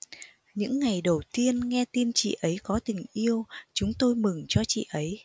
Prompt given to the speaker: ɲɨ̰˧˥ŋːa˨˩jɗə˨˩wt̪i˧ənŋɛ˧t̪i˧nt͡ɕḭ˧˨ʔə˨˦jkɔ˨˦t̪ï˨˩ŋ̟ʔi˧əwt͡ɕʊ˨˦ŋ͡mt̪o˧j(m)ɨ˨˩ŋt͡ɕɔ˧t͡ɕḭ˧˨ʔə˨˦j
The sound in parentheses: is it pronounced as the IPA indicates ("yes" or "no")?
yes